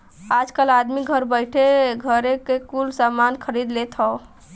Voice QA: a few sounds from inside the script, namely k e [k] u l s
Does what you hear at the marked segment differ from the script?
no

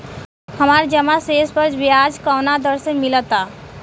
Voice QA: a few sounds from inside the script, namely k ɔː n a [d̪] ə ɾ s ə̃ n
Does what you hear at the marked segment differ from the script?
no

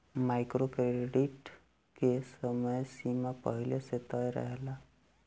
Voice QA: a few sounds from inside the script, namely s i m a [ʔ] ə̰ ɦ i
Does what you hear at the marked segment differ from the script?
yes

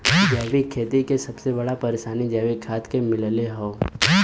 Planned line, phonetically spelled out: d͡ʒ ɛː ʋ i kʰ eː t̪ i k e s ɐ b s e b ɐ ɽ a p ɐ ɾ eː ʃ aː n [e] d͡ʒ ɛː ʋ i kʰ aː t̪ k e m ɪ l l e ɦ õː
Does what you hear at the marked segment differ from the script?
yes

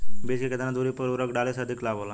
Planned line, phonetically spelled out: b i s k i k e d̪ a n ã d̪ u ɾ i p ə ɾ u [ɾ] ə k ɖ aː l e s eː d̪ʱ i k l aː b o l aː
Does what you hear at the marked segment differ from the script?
no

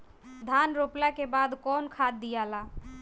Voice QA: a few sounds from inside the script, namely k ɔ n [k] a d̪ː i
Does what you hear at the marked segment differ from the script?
yes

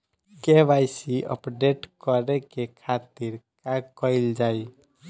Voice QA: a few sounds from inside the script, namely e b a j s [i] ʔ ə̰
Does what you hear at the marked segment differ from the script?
no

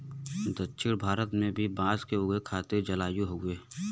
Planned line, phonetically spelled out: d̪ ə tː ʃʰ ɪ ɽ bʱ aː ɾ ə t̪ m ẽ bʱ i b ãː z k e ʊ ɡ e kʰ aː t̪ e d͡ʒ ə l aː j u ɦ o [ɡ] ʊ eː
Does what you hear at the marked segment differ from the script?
no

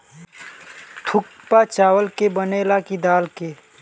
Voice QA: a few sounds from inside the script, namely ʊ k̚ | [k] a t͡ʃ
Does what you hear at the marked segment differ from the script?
yes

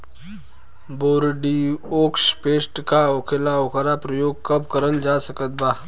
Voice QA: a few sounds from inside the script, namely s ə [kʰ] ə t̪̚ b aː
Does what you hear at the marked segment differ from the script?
yes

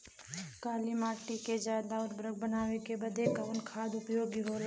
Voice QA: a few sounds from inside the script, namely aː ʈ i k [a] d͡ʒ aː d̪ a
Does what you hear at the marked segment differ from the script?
yes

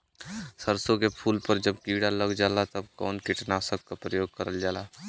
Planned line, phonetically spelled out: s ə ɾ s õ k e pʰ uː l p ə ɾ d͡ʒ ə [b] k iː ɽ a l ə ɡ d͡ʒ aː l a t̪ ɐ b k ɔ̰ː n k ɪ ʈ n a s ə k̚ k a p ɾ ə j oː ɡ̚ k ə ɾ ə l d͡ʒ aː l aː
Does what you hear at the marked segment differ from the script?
no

